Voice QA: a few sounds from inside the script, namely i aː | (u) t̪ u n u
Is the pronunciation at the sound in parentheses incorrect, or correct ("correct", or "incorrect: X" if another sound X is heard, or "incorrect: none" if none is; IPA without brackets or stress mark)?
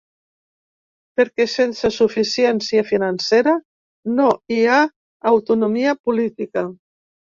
incorrect: w